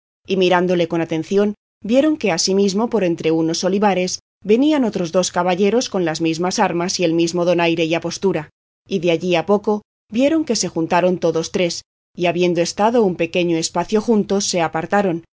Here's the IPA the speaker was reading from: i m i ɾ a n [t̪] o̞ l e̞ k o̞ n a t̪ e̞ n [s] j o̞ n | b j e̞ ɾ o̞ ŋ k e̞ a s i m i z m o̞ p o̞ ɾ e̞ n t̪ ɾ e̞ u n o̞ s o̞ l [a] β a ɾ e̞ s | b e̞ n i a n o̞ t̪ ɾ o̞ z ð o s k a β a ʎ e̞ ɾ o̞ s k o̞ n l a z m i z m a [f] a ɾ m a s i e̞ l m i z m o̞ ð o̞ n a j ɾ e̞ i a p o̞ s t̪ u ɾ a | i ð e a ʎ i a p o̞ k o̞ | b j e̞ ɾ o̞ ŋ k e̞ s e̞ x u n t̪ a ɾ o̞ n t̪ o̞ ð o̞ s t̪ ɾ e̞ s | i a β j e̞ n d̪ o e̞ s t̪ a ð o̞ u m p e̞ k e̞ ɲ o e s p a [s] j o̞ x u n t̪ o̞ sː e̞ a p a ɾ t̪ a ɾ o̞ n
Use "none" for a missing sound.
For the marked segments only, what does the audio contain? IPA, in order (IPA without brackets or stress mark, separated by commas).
d̪, θ, i, s, θ